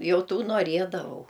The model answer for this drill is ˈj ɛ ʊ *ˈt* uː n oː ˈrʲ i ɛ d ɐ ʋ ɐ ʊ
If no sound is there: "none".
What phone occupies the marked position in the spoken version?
t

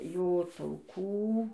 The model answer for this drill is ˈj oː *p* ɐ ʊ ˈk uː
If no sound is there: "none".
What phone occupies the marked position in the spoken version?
t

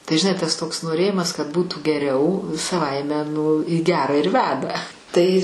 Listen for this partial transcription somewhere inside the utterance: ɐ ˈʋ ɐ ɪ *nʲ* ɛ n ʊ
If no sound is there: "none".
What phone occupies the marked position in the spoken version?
mʲ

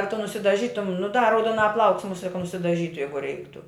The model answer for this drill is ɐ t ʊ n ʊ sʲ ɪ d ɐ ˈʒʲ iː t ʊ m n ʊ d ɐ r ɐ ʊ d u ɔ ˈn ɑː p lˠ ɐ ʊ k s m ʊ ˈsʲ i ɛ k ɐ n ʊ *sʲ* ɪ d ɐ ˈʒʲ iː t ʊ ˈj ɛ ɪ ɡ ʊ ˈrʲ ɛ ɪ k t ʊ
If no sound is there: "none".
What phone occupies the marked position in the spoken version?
sʲ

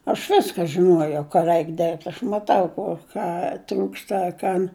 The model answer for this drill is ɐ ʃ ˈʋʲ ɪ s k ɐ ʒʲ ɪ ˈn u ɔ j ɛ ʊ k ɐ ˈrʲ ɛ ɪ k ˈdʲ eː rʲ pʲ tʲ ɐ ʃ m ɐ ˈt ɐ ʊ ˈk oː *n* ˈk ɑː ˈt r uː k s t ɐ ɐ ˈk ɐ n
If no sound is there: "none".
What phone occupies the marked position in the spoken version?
none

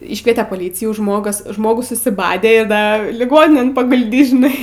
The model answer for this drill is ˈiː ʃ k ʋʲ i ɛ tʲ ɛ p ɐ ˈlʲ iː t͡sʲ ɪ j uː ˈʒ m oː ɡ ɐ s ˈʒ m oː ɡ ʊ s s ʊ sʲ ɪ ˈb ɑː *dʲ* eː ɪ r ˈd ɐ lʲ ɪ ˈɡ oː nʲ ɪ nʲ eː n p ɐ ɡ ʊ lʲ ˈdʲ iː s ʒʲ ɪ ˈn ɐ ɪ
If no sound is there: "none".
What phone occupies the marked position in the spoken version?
dʲ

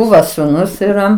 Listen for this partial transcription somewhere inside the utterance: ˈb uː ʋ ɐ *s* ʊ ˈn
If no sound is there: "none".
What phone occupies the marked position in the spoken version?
s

